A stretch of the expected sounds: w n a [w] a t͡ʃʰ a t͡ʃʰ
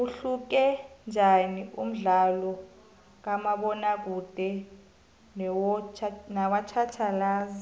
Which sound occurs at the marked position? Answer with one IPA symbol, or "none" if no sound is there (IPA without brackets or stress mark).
w